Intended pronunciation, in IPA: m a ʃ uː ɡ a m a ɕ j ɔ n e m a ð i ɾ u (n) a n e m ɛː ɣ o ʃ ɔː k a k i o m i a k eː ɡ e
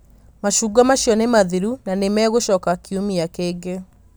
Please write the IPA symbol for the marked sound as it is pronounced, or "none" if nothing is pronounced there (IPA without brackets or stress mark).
n